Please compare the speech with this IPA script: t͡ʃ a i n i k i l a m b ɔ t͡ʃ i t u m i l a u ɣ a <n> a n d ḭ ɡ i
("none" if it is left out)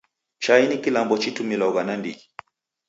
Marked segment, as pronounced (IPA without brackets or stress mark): n